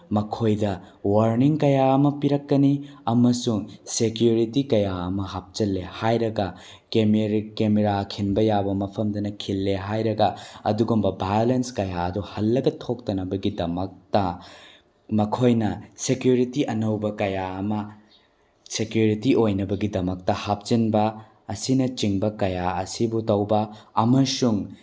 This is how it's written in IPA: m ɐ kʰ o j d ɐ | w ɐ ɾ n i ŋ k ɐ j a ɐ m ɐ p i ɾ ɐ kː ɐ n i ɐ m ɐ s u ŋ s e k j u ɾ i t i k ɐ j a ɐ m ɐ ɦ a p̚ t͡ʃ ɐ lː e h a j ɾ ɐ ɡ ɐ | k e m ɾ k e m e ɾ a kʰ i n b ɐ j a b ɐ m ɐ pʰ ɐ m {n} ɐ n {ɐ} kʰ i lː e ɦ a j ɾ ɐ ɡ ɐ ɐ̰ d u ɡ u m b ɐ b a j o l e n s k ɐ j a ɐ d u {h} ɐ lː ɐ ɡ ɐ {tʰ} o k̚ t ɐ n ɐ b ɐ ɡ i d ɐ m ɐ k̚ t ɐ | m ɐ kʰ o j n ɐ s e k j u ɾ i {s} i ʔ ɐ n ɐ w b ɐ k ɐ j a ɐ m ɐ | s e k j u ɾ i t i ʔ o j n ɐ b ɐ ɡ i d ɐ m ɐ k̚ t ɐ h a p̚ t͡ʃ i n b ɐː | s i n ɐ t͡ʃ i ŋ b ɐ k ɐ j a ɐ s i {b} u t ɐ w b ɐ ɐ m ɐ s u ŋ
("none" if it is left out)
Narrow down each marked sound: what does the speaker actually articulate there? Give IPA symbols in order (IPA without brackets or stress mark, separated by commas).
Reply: d, ɐ, h, tʰ, t, b